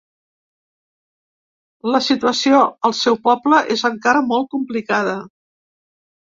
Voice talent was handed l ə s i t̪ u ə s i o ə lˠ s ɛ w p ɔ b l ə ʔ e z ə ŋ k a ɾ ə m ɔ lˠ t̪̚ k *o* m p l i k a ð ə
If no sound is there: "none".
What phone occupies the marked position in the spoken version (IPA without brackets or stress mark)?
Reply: u